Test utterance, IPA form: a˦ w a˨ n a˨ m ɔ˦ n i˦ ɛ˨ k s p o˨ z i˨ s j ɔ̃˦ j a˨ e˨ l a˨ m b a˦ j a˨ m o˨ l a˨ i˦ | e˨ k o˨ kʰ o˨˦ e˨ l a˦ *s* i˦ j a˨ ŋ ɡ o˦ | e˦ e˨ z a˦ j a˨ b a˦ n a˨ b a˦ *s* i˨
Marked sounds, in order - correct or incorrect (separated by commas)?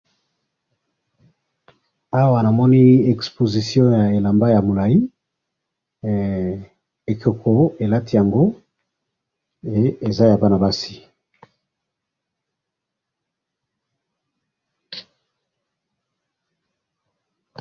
incorrect, correct